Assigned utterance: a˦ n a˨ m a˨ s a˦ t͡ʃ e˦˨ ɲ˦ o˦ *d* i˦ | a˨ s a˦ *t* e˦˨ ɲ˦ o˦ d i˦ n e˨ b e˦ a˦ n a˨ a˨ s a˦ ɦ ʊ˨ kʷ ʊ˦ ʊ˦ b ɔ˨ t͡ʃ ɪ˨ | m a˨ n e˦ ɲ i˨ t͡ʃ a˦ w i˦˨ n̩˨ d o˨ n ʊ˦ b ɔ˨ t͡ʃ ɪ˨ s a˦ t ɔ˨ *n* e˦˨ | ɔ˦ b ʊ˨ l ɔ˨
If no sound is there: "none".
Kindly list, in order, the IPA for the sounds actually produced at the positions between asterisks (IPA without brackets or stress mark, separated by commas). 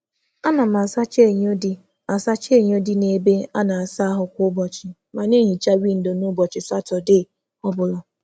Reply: d, t͡ʃ, d